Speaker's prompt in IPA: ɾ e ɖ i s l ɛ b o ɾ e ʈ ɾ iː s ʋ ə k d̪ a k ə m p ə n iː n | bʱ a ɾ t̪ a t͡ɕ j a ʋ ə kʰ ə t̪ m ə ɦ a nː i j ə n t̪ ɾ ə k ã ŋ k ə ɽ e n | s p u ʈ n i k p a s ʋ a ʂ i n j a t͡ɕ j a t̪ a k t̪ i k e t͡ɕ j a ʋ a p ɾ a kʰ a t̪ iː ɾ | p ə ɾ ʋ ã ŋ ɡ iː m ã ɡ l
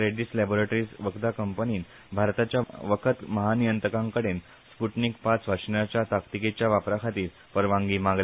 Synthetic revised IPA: ɾ e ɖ i s l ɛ b o ɾ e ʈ ɾ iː s ʋ ə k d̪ a k ə m p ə n iː n | bʱ a ɾ t̪ a t͡ɕ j a ʋ ə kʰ ə t̪ m ə ɦ a n i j ə n t̪ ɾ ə k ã ŋ k ə ɽ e n | s p u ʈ n i k p a t͡s ʋ a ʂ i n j a t͡ɕ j a t̪ a k t̪ i k e t͡ɕ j a ʋ a p ɾ a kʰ a t̪ iː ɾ | p ə ɾ ʋ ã ŋ ɡ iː m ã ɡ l

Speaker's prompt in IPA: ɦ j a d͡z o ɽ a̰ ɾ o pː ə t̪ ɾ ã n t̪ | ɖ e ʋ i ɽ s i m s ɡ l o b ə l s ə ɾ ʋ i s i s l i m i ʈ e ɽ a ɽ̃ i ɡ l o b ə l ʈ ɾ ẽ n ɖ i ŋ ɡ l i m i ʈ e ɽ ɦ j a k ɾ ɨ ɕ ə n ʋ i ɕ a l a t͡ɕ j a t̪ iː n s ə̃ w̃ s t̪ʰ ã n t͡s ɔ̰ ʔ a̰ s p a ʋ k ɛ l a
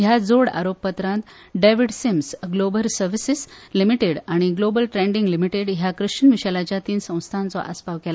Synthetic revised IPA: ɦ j a d͡z o ɽ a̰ ɾ o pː ə t̪ ɾ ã n t̪ | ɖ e ʋ i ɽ s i m s ɡ l o b ə l s ə ɾ ʋ i s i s l i m i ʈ e ɽ a ɽ̃ i ɡ l o b ə l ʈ ɾ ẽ ɳ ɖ i ŋ ɡ l i m i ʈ e ɽ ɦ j a k ɾ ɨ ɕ ə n ʋ i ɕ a l a t͡ɕ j a t̪ iː n s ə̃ w̃ s t̪ʰ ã n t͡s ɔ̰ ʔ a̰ s p a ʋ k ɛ l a

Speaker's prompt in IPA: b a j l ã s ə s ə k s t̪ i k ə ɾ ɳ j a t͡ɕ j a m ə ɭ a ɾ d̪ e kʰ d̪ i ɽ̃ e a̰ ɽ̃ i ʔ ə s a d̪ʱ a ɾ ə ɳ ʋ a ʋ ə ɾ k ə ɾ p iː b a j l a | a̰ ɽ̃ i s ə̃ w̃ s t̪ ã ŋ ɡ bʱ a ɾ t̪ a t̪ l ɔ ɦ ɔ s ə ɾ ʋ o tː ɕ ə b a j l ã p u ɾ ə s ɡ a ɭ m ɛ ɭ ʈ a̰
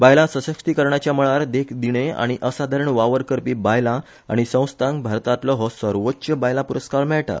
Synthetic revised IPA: b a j l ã s ə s ə k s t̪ i k ə ɾ ɳ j a t͡ɕ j a m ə ɭ a ɾ d̪ e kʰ d̪ i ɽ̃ e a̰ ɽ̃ i ʔ ə s a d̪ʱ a ɾ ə ɳ ʋ a ʋ ə ɾ k ə ɾ p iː b a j l a | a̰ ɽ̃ i s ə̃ w̃ s t̪ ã ŋ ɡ bʱ a ɾ t̪ a t̪ l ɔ ɦ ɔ s ə ɾ ʋ o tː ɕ ə b a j l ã p u ɾ ə s k a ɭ m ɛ ɭ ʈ a̰

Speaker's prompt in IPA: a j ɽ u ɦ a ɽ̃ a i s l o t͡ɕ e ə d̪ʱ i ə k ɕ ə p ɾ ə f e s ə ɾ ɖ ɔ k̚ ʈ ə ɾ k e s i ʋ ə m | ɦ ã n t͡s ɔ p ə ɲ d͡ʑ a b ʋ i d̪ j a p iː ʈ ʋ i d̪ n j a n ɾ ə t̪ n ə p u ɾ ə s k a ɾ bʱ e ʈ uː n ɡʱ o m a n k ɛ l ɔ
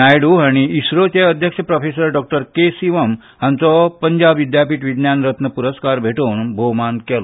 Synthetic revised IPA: a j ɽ u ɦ a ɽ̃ i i s ɾ o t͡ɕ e ə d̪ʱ j ə k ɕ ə p ɾ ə f e s ə ɾ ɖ ɔ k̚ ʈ ə ɾ k e s i ʋ ə m | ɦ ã n t͡s ɔ p ə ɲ d͡ʑ a b ʋ i d̪ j a p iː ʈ ʋ i d̪ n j a n ɾ ə t̪ n ə p u ɾ ə s k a ɾ bʱ e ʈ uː n bʱ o m a n k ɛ l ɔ

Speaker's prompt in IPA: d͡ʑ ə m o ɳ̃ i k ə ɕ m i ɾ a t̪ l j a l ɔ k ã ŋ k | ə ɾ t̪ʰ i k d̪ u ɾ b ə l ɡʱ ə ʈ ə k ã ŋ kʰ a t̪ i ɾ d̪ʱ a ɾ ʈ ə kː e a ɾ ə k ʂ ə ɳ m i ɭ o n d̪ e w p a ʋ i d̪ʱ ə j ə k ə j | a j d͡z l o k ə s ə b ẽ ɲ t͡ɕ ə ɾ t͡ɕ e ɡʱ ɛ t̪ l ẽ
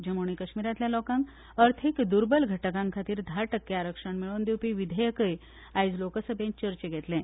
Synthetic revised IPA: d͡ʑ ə m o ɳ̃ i k ə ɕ m i ɾ a t̪ l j a l ɔ k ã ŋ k | ə ɾ t̪ʰ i k d̪ u ɾ b ə l ɡʱ ə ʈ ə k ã ŋ kʰ a t̪ iː ɾ d̪ʱ a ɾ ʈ ə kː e a ɾ ə k ʂ ə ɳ m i ɭ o n d̪ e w p i ʋ i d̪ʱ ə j ə k ə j | a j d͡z l o k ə s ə b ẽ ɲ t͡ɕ ə ɾ t͡ɕ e ɡʱ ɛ t̪ l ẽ

